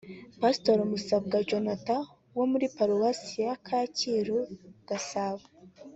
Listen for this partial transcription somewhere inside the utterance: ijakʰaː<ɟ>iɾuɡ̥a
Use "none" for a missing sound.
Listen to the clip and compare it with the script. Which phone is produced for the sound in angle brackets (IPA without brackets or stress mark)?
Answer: c